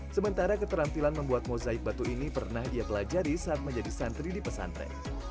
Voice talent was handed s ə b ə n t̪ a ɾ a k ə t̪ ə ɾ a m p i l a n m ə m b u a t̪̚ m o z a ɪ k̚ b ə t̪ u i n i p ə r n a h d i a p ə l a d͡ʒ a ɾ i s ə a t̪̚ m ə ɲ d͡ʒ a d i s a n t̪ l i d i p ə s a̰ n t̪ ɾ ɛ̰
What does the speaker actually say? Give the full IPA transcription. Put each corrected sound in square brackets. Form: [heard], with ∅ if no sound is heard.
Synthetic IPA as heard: s ə [m] ə n t̪ a ɾ a k ə t̪ ə ɾ a m p i l a n m ə m b u a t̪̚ m o z a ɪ k̚ b [a] t̪ u i n i p ə r n a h d i a p ə l a d͡ʒ a ɾ i s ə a t̪̚ m ə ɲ d͡ʒ a d i s a n t̪ [ɾ] i d i p ə s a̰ n t̪ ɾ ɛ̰

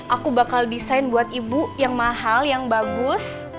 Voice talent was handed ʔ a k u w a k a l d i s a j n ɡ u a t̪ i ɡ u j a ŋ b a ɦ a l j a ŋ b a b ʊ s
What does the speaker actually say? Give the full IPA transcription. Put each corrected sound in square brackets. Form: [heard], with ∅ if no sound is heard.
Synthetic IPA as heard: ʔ a k u [b] a k a l d i s a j n [b] u a t̪ i [b] u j a ŋ [m] a ɦ a l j a ŋ b a [ɡ] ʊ s

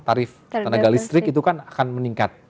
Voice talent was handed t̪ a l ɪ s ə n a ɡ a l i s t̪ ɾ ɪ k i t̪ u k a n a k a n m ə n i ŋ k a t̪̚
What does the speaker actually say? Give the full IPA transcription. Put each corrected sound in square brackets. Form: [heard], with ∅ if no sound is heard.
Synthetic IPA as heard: t̪ a [ɾ] ɪ [f] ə n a ɡ a l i s t̪ ɾ ɪ k i t̪ u k a n a k a n m ə n i ŋ k a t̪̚

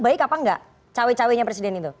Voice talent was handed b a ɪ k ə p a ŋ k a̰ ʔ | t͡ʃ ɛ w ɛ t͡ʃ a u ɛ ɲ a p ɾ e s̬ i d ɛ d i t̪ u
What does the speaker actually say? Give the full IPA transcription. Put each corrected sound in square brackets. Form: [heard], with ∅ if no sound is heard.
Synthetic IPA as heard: b a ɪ k [a] p a ŋ [ɡ] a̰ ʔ | t͡ʃ [a] w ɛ t͡ʃ a [w] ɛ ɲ a p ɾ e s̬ i d ɛ [n] i t̪ u

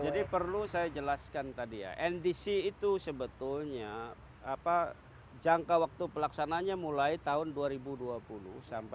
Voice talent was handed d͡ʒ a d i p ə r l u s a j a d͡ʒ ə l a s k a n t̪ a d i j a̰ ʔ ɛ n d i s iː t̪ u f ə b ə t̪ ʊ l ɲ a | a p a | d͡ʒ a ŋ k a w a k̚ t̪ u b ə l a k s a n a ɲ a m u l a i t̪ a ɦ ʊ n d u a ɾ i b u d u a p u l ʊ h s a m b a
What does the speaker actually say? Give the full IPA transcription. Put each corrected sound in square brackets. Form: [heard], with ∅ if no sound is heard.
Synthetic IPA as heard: d͡ʒ a d i p ə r l u s a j a d͡ʒ ə l a s k a n t̪ a d i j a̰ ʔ ɛ n d i s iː t̪ u [s] ə b ə t̪ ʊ l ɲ a | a p a | d͡ʒ a ŋ k a w a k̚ t̪ u [p] ə l a k s a n a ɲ a m u l a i t̪ a ɦ ʊ n d u a ɾ i b u d u a p u l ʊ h s a m [p] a

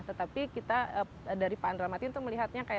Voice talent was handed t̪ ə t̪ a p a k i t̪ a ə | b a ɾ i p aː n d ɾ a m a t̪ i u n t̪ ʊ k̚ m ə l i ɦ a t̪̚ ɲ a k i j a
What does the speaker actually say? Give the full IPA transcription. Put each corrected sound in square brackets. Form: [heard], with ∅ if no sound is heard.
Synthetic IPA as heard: t̪ ə t̪ a p [i] k i t̪ a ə | [d] a ɾ i p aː n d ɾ a m a t̪ i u n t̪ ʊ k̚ m ə l i ɦ a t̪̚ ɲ a k [a] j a

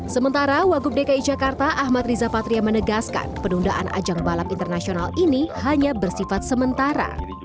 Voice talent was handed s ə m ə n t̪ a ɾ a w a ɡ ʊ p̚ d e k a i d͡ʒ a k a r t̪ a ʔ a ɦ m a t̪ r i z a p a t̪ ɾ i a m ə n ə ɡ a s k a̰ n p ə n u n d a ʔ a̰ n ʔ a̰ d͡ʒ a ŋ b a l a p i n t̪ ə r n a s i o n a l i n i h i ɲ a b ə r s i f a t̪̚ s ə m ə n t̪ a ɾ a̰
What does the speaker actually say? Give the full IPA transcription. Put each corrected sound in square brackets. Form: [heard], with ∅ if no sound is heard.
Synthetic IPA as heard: s ə m ə n t̪ a ɾ a w a ɡ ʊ p̚ d e k a i d͡ʒ a k a r t̪ a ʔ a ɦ m a t̪ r i z a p a t̪ ɾ i a m ə n ə ɡ a s k a̰ n p ə n u n d a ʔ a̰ n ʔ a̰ d͡ʒ a ŋ b a l a p i n t̪ ə r n a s i o n a l i n i h [a] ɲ a b ə r s i f a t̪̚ s ə m ə n t̪ a ɾ a̰

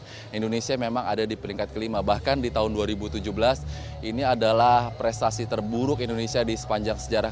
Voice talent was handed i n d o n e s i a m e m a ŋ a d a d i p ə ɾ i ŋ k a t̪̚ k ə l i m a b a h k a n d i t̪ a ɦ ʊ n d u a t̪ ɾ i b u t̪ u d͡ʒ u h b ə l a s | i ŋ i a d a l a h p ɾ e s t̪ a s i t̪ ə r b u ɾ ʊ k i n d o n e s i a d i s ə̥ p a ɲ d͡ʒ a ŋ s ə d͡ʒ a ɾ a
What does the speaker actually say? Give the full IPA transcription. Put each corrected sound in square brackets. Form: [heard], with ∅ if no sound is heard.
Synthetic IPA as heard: i n d o n e s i a m e m a ŋ a d a d i p ə ɾ i ŋ k a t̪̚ k ə l i m a b a h k a n d i t̪ a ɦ ʊ n d u a [∅] ɾ i b u t̪ u d͡ʒ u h b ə l a s | i [n] i a d a l a h p ɾ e s t̪ a s i t̪ ə r b u ɾ ʊ k i n d o n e s i a d i s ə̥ p a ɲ d͡ʒ a ŋ s ə d͡ʒ a ɾ a

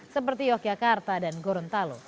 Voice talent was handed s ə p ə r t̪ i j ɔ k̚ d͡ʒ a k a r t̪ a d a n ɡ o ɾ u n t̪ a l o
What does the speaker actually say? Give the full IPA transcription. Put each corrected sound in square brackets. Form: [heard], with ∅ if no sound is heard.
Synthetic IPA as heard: s ə p ə r t̪ i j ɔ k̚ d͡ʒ a k a r t̪ a d a n ɡ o ɾ [ɔ] n t̪ a l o

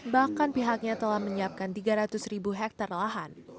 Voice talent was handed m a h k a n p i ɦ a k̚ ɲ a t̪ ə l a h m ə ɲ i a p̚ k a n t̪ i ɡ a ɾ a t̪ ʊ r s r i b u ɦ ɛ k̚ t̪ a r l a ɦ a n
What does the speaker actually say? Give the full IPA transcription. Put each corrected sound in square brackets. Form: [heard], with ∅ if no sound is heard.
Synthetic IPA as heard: [b] a h k a n p i ɦ a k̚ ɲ a t̪ ə l a h m ə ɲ i a p̚ k a n t̪ i ɡ a ɾ a t̪ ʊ [∅] s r i b u ɦ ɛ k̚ t̪ a r l a ɦ a n

